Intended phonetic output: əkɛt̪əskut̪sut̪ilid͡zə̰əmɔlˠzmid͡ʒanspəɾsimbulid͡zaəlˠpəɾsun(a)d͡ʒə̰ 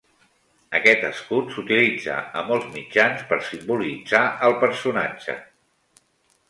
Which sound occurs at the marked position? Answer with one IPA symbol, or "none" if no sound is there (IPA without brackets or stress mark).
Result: a